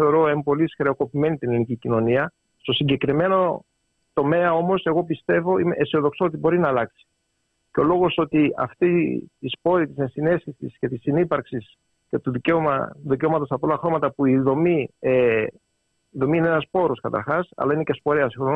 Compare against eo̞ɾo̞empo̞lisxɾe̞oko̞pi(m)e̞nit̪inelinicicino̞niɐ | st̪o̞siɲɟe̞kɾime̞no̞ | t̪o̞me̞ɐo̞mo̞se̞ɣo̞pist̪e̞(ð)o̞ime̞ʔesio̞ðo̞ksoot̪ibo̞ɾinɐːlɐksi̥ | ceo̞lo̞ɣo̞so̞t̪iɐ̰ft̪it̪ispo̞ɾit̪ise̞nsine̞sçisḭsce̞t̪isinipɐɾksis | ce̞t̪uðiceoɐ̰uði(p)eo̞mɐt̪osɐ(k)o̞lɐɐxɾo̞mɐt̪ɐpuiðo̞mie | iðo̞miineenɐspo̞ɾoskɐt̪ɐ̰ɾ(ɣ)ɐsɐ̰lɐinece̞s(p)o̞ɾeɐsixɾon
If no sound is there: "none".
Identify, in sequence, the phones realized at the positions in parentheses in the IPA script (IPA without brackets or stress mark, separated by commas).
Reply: m, v, c, p, x, p